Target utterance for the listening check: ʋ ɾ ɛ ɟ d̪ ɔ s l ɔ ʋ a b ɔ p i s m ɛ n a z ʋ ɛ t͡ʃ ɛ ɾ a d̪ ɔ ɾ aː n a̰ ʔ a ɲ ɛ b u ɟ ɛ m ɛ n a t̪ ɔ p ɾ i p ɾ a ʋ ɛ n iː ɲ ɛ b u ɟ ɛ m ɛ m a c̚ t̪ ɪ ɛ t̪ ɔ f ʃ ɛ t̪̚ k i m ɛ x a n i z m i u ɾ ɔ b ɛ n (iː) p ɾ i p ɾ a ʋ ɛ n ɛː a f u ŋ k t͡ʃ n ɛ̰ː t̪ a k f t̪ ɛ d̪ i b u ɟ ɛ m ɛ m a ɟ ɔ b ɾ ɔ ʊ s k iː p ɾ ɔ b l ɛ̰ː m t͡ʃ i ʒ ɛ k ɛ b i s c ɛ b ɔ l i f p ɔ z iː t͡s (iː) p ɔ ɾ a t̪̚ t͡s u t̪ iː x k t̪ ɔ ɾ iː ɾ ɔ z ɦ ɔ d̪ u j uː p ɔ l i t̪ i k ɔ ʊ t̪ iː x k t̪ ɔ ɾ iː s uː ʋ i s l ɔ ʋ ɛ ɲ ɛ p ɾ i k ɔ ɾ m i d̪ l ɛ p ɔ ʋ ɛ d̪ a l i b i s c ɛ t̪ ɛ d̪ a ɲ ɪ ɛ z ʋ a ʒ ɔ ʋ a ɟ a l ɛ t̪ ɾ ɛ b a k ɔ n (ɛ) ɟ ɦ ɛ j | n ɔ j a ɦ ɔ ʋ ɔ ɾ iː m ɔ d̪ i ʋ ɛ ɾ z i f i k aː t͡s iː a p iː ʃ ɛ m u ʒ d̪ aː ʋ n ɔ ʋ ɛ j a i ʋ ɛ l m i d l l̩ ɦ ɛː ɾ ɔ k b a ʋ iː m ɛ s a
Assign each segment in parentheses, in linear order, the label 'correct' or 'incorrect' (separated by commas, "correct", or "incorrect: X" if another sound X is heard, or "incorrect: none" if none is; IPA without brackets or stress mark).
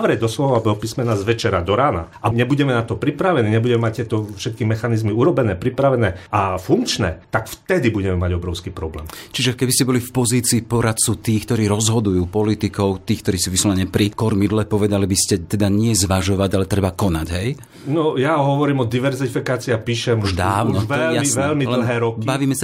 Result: incorrect: ɛː, correct, incorrect: a